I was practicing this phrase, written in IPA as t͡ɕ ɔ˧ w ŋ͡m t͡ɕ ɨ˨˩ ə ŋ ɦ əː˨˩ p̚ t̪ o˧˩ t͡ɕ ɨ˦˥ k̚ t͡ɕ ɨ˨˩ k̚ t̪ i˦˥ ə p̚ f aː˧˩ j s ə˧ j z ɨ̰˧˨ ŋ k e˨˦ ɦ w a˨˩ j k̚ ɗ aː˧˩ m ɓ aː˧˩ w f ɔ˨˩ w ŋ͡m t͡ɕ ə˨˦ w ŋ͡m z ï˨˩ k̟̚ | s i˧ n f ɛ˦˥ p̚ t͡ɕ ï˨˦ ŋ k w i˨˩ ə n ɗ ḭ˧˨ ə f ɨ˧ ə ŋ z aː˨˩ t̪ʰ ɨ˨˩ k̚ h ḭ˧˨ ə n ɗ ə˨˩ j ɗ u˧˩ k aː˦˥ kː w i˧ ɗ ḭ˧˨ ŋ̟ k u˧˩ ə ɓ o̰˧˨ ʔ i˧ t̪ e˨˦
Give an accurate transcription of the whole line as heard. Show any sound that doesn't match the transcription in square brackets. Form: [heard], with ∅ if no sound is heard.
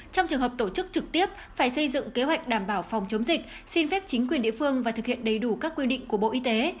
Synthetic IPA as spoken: t͡ɕ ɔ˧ w ŋ͡m t͡ɕ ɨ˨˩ ə ŋ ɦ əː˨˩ p̚ t̪ o˧˩ t͡ɕ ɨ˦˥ k̚ t͡ɕ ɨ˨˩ k̚ t̪ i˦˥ ə p̚ f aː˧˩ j s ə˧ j z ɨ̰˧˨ ŋ k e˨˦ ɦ w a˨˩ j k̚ ɗ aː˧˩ m ɓ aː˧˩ w f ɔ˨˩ w ŋ͡m t͡ɕ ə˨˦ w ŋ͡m z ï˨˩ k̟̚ | s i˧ n f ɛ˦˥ p̚ t͡ɕ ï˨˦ ŋ k w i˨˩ ə n ɗ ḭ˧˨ ə f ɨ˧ ə ŋ [v] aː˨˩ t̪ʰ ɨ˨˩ k̚ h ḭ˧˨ ə n ɗ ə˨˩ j ɗ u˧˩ k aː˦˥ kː w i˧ ɗ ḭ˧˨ ŋ̟ k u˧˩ ə ɓ o̰˧˨ ʔ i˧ t̪ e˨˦